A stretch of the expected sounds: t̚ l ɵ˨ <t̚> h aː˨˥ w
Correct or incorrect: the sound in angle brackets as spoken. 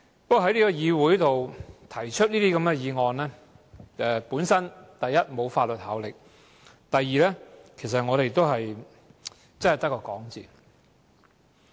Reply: correct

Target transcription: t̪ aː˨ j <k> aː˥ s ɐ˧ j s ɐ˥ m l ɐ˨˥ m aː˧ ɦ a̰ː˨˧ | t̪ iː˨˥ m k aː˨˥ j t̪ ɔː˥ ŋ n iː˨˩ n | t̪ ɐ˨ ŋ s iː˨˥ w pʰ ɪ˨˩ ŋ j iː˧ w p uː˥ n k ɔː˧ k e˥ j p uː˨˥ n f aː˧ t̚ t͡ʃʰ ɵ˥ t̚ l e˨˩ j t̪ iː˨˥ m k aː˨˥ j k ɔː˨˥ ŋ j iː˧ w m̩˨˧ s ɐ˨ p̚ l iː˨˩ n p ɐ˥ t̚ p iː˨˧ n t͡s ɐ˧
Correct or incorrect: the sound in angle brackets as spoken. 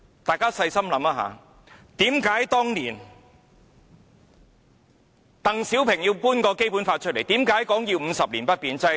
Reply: correct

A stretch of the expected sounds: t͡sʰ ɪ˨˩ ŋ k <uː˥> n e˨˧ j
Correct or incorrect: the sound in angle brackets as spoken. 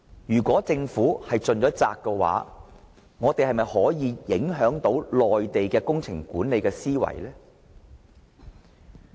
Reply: incorrect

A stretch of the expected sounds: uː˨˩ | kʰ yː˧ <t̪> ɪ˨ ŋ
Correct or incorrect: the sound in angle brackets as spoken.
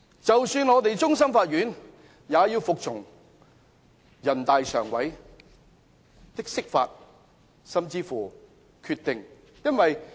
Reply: correct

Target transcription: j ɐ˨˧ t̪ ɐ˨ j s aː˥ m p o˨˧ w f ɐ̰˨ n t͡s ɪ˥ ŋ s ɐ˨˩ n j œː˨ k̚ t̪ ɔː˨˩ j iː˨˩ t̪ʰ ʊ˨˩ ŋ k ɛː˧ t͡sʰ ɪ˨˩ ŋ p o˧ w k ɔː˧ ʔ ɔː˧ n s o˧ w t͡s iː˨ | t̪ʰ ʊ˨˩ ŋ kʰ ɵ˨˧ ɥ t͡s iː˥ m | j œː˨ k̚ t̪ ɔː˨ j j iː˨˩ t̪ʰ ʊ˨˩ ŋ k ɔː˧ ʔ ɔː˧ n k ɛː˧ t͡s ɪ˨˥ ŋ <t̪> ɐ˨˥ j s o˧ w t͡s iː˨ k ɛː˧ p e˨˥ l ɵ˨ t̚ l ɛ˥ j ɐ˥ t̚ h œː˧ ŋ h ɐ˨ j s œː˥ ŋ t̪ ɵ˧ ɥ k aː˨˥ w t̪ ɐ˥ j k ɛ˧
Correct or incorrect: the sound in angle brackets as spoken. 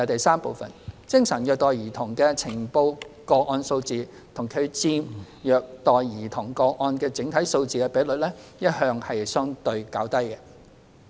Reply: incorrect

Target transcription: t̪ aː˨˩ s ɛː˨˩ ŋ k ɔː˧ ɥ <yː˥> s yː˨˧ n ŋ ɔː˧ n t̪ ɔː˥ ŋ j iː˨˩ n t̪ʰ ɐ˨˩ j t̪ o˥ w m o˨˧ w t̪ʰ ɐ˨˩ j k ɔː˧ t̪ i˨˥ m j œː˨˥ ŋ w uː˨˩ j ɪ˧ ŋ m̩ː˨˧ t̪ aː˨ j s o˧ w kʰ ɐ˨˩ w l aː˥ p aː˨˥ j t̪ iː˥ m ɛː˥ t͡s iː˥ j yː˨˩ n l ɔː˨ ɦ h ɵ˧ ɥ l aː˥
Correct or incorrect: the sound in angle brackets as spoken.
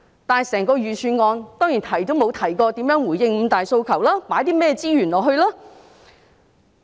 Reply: incorrect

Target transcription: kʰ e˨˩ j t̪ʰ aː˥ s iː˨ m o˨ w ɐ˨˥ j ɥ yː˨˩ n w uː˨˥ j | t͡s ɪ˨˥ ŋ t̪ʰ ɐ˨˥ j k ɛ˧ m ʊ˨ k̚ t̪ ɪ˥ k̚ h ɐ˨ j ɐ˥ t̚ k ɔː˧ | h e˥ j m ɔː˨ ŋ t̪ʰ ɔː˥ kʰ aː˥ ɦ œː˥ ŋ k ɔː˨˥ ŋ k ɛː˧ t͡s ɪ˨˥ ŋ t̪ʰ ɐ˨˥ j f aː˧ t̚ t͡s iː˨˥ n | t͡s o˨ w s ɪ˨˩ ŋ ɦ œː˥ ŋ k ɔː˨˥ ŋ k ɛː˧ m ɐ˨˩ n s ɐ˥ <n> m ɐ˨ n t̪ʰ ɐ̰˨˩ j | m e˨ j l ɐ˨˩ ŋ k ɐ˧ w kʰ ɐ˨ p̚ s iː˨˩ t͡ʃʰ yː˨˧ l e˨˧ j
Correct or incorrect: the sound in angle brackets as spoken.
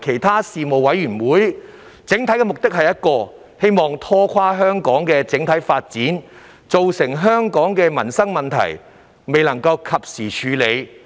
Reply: incorrect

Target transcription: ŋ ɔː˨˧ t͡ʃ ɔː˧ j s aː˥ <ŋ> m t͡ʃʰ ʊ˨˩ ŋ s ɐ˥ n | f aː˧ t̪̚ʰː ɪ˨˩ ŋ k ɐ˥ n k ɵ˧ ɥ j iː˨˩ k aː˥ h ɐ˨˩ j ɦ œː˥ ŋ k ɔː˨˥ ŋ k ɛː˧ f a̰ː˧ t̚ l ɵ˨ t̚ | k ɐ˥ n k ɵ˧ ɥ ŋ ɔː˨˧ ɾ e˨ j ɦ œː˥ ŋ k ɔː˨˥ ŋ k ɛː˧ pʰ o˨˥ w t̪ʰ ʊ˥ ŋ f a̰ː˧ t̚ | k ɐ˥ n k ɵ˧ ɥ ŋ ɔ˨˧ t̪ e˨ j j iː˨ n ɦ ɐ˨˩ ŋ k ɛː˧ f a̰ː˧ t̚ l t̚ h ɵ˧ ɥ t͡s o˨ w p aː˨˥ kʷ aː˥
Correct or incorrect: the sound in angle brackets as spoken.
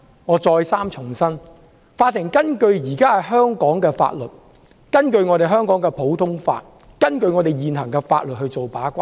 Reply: incorrect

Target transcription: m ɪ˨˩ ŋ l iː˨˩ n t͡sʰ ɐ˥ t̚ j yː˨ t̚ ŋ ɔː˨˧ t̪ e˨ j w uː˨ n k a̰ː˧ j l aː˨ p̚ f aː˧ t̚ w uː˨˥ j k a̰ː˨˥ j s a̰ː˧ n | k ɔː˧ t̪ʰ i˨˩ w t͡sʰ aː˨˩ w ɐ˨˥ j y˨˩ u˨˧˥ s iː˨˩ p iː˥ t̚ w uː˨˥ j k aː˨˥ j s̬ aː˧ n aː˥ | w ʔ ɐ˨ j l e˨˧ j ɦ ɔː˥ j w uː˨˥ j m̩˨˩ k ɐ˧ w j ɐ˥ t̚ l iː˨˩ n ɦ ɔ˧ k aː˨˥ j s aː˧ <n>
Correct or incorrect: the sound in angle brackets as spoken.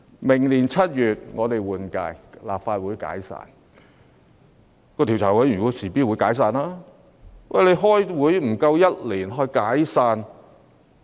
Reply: correct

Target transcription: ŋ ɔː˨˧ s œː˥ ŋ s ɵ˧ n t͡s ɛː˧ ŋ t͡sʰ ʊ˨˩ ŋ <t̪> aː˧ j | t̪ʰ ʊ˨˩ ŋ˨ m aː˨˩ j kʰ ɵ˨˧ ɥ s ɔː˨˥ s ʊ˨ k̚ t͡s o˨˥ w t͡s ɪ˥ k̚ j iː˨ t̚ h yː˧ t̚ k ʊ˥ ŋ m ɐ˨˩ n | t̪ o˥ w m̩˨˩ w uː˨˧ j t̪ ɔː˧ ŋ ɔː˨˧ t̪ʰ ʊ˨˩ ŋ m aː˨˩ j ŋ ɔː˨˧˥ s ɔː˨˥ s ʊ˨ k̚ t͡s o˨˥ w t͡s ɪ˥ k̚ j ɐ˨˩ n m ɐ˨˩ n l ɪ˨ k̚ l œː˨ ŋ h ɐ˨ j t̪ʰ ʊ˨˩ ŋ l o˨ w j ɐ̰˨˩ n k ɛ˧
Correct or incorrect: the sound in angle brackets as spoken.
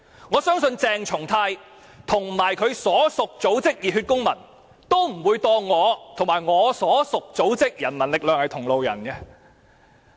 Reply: incorrect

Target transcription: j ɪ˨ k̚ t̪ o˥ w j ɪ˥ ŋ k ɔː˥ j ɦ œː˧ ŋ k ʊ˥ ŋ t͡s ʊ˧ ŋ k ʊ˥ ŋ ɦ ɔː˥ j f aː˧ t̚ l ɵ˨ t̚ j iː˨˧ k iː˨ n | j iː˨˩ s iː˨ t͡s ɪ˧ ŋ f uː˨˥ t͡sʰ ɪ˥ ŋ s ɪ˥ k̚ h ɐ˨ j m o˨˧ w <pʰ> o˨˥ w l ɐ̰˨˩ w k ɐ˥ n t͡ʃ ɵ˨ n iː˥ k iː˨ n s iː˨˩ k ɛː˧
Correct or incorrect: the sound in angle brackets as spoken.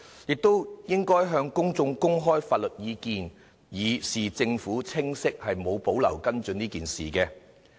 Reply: incorrect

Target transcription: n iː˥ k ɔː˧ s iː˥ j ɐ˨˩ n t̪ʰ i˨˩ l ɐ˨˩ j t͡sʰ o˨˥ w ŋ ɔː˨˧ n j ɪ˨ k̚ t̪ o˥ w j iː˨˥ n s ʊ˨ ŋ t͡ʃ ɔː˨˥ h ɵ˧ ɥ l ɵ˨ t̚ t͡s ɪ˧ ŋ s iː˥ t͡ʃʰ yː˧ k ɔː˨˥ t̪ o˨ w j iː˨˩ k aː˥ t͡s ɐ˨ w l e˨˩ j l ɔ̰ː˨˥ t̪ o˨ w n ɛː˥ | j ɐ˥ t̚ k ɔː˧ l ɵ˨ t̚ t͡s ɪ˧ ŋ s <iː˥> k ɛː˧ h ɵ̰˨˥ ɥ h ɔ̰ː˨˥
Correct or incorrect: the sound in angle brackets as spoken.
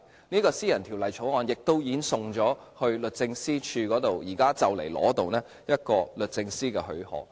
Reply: correct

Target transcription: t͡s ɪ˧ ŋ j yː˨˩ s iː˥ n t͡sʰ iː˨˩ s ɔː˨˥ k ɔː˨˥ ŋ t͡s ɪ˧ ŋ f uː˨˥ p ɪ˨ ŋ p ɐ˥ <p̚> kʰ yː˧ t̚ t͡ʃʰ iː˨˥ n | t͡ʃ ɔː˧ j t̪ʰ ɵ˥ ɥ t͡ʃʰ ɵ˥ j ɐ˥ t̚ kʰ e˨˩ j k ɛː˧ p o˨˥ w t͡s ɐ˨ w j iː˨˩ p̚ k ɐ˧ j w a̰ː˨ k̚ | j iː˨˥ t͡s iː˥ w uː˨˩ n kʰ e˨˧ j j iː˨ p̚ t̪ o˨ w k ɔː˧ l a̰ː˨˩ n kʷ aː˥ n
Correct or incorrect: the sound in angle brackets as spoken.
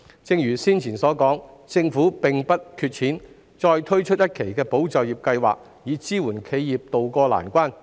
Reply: incorrect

